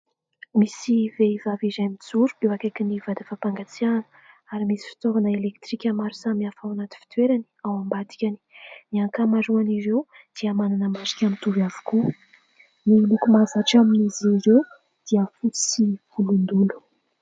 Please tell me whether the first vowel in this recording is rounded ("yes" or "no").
no